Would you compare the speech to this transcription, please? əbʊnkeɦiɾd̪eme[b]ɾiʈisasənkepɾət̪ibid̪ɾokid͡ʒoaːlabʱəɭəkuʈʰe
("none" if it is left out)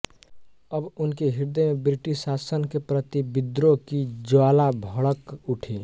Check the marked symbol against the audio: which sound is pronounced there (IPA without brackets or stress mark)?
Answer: b